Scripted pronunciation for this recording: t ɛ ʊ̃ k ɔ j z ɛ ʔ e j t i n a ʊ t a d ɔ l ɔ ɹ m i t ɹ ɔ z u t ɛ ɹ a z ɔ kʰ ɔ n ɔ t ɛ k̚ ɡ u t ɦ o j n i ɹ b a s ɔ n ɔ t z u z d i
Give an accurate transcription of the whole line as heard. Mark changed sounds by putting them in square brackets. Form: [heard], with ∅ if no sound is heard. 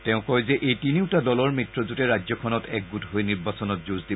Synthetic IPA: t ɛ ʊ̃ k ɔ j z ɛ ʔ e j t i n [i] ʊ t a d ɔ l ɔ ɹ m i t ɹ ɔ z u t ɛ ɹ a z ɔ kʰ ɔ n ɔ t ɛ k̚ ɡ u t ɦ o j n i ɹ b a s ɔ n ɔ t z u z d i